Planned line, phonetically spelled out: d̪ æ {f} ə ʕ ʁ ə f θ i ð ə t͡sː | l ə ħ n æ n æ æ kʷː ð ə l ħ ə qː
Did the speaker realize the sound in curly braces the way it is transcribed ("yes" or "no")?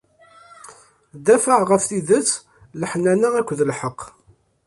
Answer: yes